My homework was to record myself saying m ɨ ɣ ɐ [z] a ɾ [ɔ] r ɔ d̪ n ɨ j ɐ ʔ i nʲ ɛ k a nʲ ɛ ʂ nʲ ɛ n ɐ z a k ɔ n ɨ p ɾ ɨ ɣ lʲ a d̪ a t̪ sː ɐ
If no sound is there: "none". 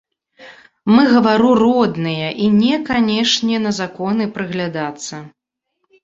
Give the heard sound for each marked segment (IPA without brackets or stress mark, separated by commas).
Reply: v, u